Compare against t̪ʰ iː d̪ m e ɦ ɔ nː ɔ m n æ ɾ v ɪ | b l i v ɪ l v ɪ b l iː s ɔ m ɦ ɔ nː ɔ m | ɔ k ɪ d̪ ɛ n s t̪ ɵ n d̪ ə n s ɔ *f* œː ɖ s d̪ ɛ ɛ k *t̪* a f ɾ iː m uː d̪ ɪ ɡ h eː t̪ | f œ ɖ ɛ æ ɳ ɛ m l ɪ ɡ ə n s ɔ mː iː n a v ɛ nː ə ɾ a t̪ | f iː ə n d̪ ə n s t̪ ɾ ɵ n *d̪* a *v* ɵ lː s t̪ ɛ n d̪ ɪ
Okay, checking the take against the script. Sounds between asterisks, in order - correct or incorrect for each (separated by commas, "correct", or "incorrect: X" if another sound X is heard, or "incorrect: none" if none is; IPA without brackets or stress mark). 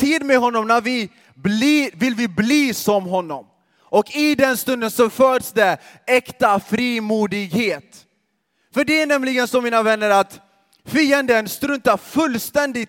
correct, correct, incorrect: t̪, incorrect: f